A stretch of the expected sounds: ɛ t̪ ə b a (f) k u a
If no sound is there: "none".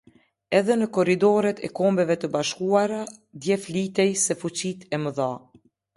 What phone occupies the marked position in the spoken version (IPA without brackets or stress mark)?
ʃ